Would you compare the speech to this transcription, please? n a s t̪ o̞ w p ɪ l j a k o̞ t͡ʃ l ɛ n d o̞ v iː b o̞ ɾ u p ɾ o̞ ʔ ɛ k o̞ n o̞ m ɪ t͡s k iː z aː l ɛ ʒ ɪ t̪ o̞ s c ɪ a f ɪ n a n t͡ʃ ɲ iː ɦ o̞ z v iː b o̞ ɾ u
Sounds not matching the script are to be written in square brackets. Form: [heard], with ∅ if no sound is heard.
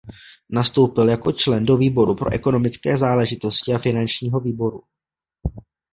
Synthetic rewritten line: n a s t̪ o̞ w p ɪ l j a k o̞ t͡ʃ l ɛ n d o̞ v iː b o̞ ɾ u p ɾ o̞ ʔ ɛ k o̞ n o̞ m ɪ t͡s k [ɛː] z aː l ɛ ʒ ɪ t̪ o̞ s c ɪ a f ɪ n a n t͡ʃ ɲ iː ɦ o̞ [∅] v iː b o̞ ɾ u